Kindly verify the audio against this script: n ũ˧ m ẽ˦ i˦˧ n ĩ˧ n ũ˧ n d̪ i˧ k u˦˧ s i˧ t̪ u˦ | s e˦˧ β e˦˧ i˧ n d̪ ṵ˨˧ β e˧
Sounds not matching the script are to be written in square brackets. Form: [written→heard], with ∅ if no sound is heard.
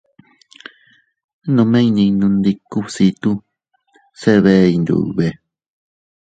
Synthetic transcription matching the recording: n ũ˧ m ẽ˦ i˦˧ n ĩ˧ n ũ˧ n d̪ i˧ k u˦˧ s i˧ t̪ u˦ | s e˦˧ β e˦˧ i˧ n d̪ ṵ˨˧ β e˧